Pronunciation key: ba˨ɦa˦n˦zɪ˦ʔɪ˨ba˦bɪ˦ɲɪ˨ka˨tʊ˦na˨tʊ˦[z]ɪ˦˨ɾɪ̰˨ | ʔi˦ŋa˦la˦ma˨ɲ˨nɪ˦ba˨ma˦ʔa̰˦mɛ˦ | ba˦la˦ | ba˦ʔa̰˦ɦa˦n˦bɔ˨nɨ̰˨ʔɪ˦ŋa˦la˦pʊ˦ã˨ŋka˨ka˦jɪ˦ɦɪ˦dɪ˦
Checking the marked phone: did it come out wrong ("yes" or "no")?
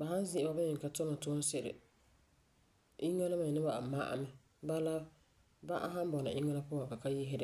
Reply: yes